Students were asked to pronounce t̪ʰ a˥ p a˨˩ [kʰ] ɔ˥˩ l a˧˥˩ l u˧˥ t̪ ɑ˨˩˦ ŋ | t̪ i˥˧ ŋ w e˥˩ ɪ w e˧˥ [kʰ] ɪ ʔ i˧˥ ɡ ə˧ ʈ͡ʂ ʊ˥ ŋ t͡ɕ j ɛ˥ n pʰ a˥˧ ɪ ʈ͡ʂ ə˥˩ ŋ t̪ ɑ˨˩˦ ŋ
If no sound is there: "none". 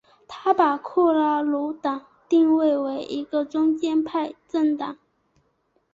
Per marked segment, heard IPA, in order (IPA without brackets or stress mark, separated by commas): kʰ, none